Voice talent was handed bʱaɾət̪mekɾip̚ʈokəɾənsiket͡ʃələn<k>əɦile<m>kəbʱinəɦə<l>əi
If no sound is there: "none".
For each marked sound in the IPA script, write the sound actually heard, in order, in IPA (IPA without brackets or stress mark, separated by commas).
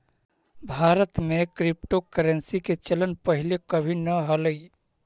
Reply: p, none, l